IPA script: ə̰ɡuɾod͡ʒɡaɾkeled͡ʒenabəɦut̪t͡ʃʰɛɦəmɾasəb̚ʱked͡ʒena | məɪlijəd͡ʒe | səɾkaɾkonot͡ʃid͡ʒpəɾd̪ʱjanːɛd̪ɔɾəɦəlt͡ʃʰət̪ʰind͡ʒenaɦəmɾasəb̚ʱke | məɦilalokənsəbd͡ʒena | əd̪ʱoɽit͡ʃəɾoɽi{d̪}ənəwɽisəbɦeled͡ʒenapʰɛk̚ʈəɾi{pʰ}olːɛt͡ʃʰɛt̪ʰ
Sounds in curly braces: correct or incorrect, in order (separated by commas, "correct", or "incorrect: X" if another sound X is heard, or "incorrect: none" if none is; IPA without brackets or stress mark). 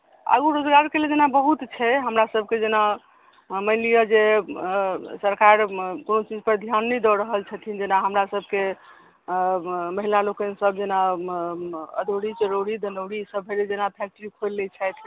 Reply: correct, incorrect: kʰ